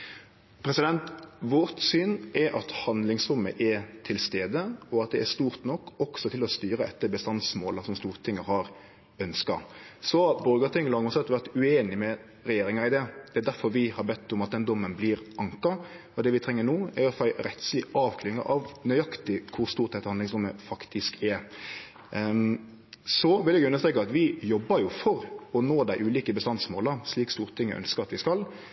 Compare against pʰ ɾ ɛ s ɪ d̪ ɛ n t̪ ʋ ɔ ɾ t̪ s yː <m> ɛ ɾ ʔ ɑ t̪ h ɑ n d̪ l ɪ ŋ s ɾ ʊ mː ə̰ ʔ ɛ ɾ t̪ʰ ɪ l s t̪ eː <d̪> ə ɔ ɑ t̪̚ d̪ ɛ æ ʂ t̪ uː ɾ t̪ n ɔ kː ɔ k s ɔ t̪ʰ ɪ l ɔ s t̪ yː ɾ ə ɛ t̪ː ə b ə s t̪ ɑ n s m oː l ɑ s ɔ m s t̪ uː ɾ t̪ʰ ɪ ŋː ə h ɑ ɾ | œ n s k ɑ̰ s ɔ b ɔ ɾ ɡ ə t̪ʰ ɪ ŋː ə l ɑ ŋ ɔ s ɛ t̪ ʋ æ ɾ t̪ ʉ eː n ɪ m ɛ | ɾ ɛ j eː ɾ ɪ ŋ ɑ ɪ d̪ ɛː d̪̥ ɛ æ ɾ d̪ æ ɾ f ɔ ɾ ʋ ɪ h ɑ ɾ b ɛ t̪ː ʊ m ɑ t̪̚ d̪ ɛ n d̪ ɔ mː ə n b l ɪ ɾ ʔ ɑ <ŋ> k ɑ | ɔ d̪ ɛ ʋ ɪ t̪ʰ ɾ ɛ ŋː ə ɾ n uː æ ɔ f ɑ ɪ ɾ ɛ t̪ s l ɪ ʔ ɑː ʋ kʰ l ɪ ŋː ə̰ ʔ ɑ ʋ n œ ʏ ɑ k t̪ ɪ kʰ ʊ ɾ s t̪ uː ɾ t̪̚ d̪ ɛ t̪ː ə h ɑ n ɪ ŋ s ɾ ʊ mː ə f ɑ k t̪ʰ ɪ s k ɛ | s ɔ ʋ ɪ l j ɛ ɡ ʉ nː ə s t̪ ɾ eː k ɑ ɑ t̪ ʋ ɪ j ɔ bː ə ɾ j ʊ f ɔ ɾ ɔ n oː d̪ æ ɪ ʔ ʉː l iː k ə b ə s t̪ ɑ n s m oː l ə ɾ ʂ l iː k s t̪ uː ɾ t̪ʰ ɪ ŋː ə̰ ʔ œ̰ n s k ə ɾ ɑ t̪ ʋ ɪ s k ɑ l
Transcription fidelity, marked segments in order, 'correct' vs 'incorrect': incorrect: n, correct, correct

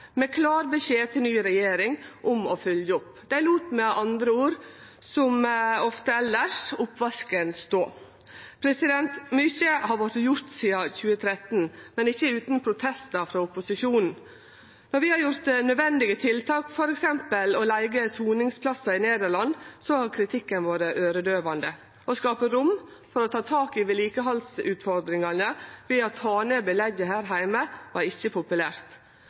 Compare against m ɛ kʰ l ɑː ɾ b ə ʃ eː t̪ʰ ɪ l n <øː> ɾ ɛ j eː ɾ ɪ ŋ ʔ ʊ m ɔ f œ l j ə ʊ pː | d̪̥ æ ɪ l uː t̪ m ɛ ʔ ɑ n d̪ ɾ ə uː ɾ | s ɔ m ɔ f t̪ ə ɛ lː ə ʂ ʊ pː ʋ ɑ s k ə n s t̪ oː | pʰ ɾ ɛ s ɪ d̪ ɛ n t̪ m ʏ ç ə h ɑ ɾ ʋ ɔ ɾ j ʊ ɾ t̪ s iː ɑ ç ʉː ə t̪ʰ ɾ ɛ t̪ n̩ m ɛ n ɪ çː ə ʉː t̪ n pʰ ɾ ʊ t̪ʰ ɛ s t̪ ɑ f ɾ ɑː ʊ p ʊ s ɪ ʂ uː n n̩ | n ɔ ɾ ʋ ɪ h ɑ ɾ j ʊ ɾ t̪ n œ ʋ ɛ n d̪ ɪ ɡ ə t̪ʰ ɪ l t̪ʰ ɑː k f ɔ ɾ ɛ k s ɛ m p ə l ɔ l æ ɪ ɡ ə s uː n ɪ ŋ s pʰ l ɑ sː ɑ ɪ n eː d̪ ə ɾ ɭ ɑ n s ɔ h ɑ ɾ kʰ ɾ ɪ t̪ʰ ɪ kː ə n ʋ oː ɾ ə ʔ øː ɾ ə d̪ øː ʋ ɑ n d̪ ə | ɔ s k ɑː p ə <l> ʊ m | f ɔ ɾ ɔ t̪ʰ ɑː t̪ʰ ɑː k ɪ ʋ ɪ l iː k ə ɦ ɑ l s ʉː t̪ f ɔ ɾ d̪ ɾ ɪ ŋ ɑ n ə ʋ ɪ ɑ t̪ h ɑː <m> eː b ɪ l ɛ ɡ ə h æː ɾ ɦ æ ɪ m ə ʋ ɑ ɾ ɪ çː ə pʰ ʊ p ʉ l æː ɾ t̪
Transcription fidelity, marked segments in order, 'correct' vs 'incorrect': incorrect: yː, incorrect: ɾ, incorrect: n

